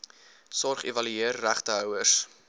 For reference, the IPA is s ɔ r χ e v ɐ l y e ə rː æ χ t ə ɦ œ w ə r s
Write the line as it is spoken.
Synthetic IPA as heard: s ɔ r χ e v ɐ l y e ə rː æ χ t ə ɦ œ w ə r s

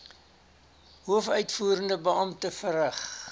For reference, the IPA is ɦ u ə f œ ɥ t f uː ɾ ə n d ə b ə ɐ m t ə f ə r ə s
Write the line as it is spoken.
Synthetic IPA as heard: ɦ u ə f œ ɥ t f uː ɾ ə n d ə b ə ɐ m t ə f ə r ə χ

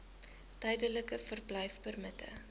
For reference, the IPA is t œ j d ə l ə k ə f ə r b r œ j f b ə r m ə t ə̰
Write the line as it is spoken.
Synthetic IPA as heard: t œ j d ə l ə k ə f ə r b l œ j f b ə r m ə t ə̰

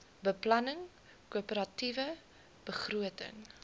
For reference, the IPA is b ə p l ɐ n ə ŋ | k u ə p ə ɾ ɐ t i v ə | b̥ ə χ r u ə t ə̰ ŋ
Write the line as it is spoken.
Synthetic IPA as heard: b ə p l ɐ n ə ŋ | k u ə p ə ɾ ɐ t i v ə | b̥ ə χ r u ə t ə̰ ŋ

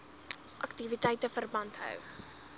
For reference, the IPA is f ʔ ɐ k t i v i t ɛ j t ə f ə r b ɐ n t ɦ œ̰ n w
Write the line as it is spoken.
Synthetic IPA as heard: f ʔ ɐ k t i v i t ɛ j t ə f ə r b ɐ n t ɦ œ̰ w

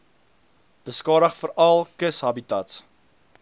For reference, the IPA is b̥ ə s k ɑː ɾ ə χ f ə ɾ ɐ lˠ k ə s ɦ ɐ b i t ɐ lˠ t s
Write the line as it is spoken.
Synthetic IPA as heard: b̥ ə s k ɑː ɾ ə χ f ə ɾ ɐ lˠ k ə s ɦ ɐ b i t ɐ t s

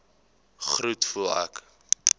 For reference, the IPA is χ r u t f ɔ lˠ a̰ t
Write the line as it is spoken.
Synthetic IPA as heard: χ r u t f u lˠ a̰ k

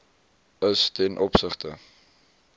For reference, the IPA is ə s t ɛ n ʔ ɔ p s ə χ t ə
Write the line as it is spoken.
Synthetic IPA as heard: ə s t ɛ n ʔ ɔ p s ə χ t ə

